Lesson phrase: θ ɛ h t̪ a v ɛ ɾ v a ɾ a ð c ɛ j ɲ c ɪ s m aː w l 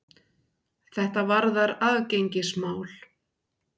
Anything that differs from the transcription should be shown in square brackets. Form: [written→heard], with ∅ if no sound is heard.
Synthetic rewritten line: θ ɛ h t̪ a v [ɛ→a] ɾ [v→ð] a ɾ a ð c [ɛ→e] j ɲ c ɪ s m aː w l